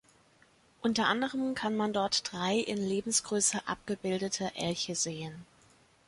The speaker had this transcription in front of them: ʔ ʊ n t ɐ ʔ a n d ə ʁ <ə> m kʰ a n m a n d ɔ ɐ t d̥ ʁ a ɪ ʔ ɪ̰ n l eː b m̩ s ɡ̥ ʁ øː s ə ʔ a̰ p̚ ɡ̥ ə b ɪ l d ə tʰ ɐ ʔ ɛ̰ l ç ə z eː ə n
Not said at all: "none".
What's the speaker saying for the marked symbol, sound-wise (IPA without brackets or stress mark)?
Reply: ə